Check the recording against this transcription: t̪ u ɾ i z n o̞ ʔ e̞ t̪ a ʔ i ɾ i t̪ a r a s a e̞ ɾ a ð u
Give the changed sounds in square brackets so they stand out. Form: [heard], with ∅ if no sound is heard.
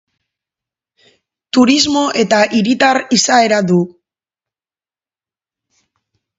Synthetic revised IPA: t̪ u ɾ i z [m] o̞ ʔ e̞ t̪ a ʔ i ɾ i t̪ a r [i] s a e̞ ɾ a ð u